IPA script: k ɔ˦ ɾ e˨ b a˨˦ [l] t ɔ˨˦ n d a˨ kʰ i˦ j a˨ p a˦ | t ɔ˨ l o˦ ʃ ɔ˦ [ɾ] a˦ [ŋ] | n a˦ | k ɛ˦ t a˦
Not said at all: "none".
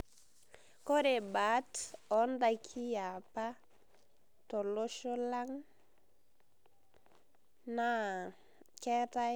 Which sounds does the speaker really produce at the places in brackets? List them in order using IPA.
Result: none, l, ŋ

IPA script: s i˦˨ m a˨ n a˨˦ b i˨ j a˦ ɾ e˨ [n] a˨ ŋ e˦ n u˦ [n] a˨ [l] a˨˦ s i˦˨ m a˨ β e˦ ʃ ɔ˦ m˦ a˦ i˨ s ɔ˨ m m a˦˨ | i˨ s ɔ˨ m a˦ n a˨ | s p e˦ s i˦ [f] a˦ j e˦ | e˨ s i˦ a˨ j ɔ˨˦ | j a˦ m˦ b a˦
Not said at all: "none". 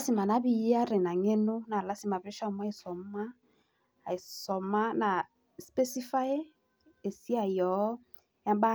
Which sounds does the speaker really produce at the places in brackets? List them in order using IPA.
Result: n, n, l, f

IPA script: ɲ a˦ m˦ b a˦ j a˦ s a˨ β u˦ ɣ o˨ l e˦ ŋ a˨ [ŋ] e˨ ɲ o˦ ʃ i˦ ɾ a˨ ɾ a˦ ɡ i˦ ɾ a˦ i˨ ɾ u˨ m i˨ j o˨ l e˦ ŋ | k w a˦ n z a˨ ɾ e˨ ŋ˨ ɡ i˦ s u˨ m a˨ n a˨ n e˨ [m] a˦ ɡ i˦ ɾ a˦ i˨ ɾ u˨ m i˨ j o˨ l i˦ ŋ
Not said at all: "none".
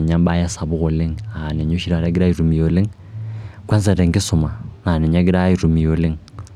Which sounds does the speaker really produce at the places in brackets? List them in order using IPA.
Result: n, ɲ

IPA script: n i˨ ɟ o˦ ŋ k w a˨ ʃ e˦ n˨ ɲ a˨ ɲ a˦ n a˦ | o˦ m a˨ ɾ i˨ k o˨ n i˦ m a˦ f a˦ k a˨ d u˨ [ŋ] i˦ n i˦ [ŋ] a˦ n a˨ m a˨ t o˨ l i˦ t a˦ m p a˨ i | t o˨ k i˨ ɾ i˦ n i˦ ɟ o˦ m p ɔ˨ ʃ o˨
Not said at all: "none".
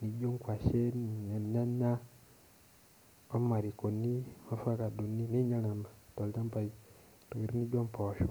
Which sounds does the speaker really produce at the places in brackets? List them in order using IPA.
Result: n, ɲ

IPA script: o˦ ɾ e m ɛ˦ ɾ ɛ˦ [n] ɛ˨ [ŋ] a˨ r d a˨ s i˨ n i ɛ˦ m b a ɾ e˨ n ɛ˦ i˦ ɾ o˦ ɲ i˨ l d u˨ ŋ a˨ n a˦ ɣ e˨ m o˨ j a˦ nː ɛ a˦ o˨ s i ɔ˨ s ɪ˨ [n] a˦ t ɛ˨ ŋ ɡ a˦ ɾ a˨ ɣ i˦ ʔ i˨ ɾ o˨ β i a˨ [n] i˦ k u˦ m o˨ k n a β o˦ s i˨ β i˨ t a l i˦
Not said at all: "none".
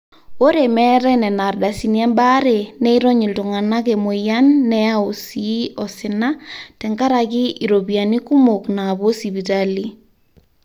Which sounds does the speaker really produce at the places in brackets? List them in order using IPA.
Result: n, n, n, n

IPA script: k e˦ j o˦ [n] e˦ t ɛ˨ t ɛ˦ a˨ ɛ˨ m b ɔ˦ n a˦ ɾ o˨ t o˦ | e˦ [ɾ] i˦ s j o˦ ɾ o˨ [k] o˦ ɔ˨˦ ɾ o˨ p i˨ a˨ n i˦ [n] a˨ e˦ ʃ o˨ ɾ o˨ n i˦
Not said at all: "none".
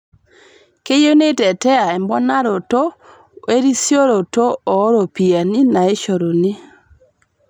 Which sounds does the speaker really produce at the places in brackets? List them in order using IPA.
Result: n, ɾ, t, n

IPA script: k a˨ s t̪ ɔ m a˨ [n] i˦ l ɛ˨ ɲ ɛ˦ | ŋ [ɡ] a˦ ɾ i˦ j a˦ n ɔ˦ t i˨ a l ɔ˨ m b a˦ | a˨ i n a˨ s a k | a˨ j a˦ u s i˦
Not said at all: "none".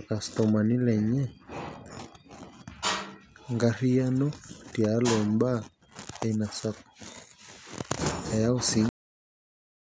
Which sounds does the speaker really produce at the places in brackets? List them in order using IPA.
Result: n, ɡ

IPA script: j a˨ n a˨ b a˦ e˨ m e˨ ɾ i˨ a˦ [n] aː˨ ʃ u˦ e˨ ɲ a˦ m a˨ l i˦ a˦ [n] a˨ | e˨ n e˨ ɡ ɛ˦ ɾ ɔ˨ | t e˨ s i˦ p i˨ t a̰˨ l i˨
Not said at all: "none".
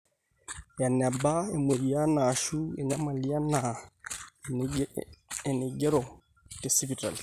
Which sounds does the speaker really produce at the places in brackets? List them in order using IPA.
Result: n, n

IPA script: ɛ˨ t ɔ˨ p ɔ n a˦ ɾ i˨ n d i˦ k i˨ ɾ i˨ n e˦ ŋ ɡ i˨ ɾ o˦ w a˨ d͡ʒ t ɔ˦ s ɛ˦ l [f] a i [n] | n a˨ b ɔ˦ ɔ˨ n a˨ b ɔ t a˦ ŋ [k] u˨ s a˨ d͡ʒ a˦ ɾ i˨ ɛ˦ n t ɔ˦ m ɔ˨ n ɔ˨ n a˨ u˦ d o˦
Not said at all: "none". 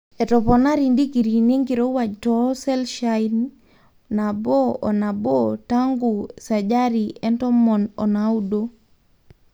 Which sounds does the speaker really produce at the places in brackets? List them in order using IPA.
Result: ʃ, n, ɡ

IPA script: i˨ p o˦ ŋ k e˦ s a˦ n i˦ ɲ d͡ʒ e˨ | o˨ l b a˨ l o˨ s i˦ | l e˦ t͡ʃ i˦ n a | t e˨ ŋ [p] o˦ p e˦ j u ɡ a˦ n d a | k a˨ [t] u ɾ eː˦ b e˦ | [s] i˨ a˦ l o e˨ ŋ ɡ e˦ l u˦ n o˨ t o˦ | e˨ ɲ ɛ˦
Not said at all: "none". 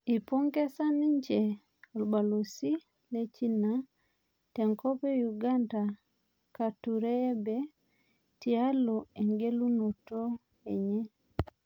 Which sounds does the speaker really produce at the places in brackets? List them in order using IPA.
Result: k, t, t

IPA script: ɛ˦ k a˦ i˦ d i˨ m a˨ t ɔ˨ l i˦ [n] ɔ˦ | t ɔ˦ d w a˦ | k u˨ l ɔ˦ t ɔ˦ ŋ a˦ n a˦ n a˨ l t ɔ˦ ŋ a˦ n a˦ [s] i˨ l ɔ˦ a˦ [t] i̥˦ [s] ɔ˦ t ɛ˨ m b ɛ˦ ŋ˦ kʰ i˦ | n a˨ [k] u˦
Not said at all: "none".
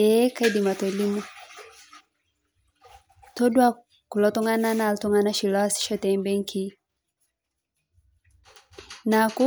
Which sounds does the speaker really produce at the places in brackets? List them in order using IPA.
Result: m, ʃ, s, ʃ, k

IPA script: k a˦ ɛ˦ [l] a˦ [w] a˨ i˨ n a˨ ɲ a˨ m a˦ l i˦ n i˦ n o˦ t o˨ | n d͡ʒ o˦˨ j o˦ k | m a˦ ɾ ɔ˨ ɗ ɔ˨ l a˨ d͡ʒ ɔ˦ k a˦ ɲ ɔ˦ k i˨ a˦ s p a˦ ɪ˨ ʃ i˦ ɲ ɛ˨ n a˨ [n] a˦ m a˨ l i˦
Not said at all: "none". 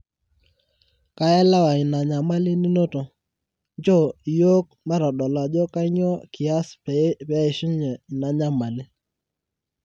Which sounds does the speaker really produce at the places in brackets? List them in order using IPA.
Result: l, w, ɲ

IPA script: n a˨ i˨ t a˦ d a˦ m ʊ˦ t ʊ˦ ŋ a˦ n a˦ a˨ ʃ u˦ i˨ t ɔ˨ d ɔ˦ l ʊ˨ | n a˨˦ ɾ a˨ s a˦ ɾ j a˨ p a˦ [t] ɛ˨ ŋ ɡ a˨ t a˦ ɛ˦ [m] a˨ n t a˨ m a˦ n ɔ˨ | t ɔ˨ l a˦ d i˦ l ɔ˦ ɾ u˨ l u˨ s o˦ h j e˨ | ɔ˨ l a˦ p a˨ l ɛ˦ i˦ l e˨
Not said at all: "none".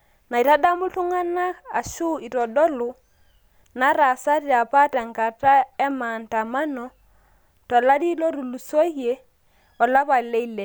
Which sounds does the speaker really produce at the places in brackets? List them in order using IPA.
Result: t, m

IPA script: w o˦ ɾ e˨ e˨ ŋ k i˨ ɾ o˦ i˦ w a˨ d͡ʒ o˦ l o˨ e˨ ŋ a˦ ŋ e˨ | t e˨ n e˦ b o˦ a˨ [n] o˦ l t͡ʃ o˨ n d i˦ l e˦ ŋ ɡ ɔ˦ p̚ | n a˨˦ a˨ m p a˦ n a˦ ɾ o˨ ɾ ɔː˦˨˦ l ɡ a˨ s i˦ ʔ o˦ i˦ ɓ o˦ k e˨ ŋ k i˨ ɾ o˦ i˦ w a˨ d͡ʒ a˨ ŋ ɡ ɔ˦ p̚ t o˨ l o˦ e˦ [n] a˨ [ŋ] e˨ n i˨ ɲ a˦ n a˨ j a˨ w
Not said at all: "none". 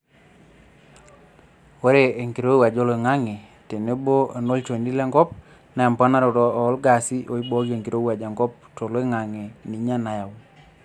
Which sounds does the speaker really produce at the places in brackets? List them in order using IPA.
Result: n, ŋ, ŋ

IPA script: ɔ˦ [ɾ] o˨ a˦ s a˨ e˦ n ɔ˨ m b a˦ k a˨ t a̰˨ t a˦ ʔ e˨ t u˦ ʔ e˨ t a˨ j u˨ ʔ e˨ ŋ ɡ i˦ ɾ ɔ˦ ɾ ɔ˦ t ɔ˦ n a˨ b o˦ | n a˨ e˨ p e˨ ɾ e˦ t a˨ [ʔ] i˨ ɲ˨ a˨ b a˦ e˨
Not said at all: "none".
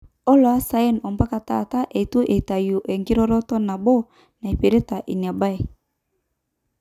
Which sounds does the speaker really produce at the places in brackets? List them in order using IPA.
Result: l, ʔ

